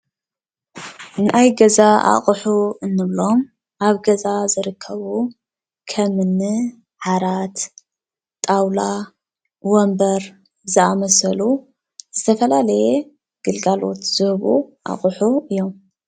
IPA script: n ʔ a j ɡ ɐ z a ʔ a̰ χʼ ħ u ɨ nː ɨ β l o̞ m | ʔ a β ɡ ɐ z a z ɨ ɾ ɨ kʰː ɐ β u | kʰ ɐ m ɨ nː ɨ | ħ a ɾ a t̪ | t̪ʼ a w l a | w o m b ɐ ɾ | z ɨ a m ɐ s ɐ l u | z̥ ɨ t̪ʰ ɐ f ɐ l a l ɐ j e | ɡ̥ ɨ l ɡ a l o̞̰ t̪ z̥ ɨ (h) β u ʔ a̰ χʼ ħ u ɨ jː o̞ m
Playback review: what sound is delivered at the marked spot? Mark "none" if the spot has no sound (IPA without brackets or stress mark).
h